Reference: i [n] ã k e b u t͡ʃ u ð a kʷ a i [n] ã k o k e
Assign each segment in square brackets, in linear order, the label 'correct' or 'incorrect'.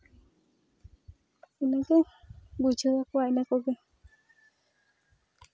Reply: correct, correct

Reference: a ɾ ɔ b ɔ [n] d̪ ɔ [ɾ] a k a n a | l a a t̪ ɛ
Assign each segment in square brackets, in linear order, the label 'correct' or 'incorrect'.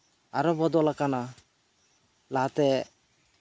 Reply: incorrect: none, incorrect: l

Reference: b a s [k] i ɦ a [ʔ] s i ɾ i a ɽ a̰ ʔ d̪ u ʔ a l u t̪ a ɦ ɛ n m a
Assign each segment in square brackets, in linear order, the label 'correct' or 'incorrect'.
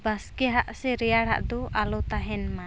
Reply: correct, correct

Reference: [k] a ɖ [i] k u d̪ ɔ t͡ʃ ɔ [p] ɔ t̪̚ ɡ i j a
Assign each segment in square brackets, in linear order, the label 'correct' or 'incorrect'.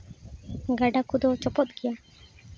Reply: incorrect: ɡ, incorrect: a, correct

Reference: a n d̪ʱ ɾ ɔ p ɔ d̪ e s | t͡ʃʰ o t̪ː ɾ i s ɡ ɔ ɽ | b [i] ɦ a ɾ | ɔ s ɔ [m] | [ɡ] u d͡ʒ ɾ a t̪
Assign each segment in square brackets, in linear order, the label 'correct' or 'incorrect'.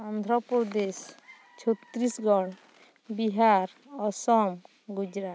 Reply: correct, correct, correct

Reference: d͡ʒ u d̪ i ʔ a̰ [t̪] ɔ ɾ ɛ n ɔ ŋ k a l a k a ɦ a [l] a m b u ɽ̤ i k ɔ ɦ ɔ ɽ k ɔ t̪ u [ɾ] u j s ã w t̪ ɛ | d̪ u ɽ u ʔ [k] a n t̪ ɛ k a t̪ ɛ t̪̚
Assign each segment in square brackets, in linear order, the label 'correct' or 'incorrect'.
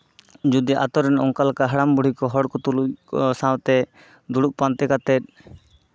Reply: correct, incorrect: ɽ, incorrect: l, incorrect: p

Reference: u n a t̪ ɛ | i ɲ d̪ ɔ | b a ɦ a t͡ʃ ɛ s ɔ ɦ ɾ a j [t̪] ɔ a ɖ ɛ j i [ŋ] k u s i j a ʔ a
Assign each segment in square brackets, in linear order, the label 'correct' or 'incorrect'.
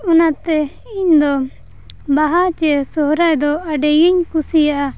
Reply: incorrect: d̪, incorrect: ɲ

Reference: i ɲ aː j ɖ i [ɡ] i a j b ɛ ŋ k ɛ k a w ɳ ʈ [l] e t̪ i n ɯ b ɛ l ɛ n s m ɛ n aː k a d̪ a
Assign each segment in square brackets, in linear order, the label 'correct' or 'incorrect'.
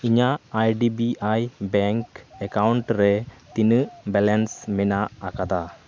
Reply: incorrect: b, incorrect: ɾ

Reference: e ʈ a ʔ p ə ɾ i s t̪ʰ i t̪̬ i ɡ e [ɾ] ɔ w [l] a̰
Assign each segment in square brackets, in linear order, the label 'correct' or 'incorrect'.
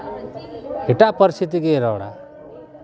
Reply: correct, incorrect: ɽ

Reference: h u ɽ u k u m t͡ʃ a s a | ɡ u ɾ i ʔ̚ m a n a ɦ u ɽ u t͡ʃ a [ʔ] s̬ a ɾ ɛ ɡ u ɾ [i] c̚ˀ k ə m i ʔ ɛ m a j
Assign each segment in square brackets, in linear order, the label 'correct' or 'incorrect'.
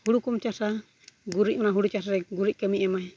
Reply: incorrect: none, correct

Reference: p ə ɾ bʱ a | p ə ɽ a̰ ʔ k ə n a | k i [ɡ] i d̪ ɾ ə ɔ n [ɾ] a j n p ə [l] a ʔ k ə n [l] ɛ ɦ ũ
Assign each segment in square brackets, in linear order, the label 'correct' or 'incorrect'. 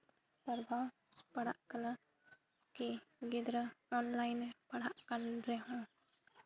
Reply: correct, incorrect: l, incorrect: ɽ, incorrect: ɾ

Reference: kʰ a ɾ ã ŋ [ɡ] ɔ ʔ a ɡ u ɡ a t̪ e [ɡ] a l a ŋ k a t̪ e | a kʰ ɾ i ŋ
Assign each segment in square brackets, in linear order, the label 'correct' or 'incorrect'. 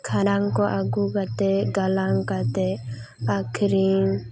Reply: incorrect: k, correct

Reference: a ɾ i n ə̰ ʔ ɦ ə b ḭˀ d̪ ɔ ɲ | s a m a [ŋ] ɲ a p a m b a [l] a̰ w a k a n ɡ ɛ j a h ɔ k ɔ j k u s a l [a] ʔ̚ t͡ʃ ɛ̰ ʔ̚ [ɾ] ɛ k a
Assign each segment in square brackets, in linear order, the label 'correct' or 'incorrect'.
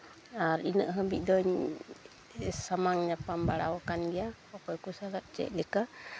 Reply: correct, incorrect: ɽ, correct, incorrect: l

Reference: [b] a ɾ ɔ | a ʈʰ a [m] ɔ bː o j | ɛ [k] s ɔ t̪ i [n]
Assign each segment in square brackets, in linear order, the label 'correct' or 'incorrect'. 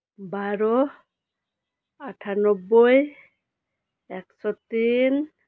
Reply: correct, incorrect: n, correct, correct

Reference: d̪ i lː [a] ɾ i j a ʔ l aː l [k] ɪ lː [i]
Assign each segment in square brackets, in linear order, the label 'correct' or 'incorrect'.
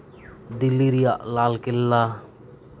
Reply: incorrect: i, correct, incorrect: a

